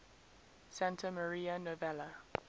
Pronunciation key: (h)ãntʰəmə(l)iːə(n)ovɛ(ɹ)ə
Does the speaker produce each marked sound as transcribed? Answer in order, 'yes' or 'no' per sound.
no, no, yes, no

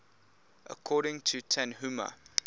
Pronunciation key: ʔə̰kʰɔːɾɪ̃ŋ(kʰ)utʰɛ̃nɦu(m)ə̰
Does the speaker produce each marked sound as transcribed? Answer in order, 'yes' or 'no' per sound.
no, yes

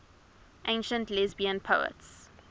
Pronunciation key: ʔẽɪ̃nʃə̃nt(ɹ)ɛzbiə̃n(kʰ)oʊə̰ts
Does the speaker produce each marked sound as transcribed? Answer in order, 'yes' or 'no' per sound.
no, no

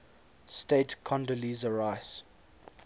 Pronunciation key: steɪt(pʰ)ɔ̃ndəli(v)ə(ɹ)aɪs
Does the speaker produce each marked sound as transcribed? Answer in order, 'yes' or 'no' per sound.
no, no, yes

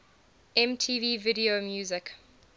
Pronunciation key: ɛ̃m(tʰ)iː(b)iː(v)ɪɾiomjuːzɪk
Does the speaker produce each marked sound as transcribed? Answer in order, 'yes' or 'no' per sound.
yes, no, yes

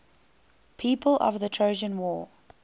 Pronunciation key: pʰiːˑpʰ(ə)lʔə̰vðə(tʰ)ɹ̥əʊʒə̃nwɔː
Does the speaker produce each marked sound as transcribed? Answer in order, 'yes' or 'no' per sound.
yes, yes

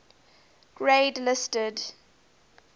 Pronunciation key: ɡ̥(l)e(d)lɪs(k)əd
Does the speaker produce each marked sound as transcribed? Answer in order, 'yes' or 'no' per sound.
no, yes, no

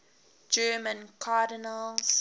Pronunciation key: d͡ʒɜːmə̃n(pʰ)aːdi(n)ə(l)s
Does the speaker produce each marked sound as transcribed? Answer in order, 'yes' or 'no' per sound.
no, yes, yes

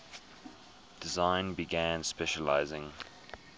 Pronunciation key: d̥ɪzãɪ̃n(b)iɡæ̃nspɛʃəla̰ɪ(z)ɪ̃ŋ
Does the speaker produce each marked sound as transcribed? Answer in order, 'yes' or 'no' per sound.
yes, yes

